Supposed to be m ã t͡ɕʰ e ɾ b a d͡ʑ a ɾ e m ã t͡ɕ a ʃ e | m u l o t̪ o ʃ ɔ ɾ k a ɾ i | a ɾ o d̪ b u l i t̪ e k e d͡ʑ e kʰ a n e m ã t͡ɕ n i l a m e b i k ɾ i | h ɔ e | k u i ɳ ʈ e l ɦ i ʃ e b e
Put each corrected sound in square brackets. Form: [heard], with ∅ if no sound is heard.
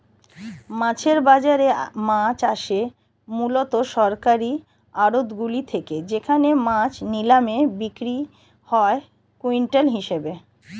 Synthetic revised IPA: m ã t͡ɕʰ e ɾ b a d͡ʑ a ɾ e m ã t͡ɕ a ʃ e | m u l o t̪ o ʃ ɔ ɾ k a ɾ i | a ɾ o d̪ [ɡ] u l i [t̪ʰ] e k e d͡ʑ e kʰ a n e m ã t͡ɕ n i l a m e b i k ɾ i | h ɔ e | k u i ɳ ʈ e l ɦ i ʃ e b e